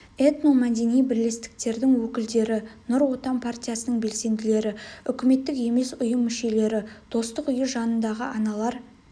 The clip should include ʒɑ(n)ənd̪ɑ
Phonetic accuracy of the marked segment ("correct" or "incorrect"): correct